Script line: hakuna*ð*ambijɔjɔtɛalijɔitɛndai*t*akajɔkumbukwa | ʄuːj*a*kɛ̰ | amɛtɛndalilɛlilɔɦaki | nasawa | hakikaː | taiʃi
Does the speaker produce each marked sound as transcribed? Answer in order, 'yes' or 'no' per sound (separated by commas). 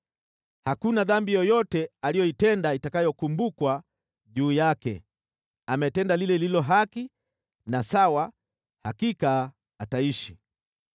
yes, yes, yes